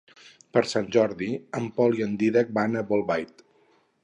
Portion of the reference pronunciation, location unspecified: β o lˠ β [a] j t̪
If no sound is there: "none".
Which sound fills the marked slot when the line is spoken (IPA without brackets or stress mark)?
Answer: a